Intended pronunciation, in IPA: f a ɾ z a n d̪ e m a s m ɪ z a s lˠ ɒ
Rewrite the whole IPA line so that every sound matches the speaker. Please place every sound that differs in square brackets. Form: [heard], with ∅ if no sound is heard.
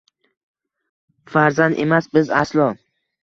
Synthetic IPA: f a ɾ z a n d̪ e m a s [b] ɪ z a s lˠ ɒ